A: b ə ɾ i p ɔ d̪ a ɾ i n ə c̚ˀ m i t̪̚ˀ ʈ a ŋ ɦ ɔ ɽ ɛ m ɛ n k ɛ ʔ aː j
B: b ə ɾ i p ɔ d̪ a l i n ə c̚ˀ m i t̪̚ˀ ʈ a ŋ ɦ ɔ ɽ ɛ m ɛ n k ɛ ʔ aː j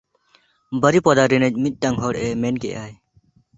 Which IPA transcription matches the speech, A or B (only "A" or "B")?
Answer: A